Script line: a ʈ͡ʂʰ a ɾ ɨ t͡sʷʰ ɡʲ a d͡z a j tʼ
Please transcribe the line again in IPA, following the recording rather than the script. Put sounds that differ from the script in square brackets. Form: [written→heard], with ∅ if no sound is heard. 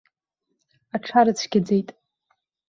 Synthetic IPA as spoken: a ʈ͡ʂʰ a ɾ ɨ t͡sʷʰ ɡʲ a d͡z [a→e] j tʼ